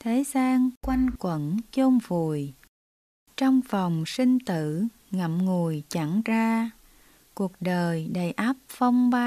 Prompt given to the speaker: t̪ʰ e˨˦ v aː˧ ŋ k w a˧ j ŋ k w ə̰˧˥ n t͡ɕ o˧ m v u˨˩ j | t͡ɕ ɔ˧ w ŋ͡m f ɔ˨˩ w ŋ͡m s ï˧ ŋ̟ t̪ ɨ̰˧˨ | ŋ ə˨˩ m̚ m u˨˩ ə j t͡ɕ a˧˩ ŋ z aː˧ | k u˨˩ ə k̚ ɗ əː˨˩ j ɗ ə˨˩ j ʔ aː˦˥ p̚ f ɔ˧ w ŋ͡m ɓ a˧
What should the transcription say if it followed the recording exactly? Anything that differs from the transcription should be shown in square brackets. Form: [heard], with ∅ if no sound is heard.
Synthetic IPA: t̪ʰ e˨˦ [z] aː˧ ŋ k w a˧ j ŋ k w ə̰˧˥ n t͡ɕ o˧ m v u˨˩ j | t͡ɕ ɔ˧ w ŋ͡m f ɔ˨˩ w ŋ͡m s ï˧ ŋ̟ t̪ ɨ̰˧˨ | ŋ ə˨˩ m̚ [ŋ] u˨˩ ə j t͡ɕ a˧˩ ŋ z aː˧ | k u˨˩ ə k̚ ɗ əː˨˩ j ɗ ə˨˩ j ʔ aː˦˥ p̚ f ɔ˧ w ŋ͡m ɓ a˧